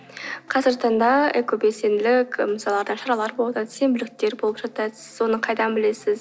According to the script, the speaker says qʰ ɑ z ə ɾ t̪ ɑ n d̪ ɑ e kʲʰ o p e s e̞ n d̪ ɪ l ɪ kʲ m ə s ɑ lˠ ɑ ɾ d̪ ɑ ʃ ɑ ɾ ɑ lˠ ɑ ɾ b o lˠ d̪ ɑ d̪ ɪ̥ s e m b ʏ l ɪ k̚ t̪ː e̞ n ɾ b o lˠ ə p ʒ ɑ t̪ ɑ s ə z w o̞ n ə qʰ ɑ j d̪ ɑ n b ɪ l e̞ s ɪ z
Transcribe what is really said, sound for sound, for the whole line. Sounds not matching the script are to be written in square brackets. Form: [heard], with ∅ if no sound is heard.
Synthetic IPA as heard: qʰ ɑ z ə ɾ t̪ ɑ n d̪ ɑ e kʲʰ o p e s e̞ n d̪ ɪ l ɪ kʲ m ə s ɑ lˠ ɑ ɾ d̪ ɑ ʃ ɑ ɾ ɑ lˠ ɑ ɾ b o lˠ d̪ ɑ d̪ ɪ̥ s e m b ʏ l ɪ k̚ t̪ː e̞ [∅] ɾ b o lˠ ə p ʒ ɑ t̪ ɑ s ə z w o̞ n ə qʰ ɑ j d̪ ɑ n b ɪ l e̞ s ɪ z